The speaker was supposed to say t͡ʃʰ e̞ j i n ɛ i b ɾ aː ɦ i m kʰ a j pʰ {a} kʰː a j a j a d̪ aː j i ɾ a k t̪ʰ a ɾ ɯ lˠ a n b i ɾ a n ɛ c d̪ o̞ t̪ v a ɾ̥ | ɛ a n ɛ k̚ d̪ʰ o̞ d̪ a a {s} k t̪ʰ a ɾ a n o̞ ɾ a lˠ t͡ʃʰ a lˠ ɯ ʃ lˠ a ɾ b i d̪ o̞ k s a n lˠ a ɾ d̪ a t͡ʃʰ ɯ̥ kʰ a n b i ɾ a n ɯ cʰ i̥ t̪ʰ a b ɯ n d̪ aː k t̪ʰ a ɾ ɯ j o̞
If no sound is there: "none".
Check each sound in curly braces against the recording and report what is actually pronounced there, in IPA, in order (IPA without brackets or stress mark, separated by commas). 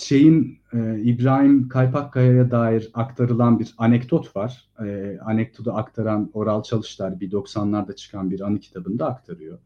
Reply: a, none